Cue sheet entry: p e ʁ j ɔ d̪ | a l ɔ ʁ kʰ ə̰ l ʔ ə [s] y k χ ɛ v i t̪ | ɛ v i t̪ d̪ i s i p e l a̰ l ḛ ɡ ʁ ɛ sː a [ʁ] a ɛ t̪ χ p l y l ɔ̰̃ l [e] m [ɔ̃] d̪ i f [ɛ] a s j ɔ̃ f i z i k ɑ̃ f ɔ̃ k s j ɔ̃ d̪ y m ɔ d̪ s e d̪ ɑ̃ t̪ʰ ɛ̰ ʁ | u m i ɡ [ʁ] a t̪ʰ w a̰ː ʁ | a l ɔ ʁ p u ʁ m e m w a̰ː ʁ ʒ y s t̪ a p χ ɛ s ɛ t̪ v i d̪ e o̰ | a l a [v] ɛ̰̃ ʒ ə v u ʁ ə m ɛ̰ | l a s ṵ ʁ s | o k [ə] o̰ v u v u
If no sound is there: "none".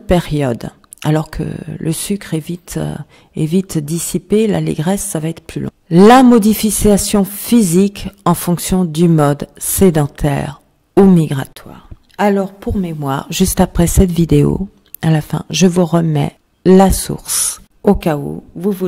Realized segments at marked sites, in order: s, v, a, ɔ, i, ʁ, f, a

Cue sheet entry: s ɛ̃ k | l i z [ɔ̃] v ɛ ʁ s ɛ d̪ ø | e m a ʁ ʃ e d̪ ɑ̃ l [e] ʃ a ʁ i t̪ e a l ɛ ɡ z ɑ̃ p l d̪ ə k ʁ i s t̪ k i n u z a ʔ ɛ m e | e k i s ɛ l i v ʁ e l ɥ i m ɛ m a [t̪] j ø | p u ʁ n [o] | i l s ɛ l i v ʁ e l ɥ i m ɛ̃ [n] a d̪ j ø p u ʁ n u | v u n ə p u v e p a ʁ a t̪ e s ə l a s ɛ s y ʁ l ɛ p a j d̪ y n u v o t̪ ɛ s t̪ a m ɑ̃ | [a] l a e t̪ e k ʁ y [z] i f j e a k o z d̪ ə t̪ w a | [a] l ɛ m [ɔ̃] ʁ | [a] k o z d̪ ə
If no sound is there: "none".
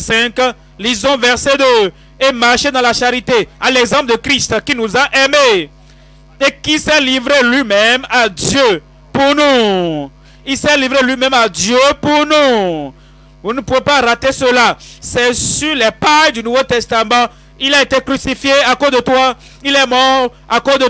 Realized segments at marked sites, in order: ɔ̃, a, d̪, u, m, i, s, i, ɔ, a

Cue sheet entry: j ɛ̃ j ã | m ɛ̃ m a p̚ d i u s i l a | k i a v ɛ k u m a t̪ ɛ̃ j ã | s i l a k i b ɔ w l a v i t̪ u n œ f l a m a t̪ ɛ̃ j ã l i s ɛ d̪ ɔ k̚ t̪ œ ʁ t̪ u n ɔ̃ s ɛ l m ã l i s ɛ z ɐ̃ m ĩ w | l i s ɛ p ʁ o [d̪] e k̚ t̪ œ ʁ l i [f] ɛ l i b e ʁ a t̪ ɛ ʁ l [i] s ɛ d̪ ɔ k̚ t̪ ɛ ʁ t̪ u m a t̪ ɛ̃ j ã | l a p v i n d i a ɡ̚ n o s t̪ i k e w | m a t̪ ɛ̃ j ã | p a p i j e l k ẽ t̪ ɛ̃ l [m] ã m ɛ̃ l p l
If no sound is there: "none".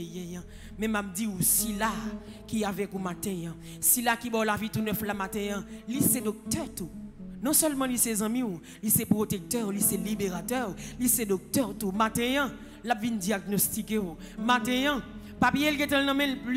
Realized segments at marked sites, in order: t̪, s, i, n

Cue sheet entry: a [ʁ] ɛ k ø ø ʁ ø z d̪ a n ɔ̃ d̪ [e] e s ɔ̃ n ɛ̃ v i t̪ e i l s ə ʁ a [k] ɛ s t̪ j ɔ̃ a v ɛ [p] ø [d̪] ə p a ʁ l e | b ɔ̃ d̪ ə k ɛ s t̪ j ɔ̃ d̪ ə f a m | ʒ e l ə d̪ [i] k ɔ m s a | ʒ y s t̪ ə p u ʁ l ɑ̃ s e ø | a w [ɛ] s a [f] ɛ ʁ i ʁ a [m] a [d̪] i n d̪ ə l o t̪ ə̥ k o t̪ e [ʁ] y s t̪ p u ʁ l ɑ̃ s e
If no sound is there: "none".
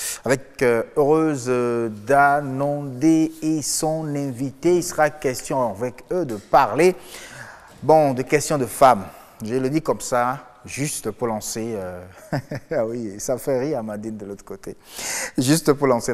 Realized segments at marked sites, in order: v, e, k, k, d̪, i, i, f, m, d̪, ʒ

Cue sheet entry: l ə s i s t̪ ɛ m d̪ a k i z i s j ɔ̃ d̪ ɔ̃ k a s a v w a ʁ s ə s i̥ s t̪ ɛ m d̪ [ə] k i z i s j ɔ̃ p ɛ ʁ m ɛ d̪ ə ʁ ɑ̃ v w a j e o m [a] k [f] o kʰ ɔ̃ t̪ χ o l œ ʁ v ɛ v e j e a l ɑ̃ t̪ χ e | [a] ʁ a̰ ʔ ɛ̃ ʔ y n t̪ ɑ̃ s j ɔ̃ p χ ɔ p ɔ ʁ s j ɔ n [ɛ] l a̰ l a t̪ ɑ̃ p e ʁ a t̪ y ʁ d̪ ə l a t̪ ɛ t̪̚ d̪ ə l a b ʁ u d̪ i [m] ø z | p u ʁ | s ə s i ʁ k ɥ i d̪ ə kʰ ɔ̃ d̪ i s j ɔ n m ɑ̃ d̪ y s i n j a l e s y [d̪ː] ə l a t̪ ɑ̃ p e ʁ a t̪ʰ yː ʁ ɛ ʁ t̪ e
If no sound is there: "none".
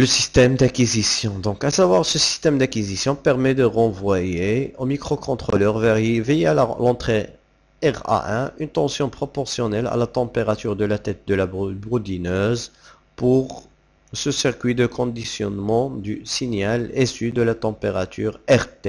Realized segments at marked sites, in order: a, i, χ, ɛ, ɛ, n, d̪

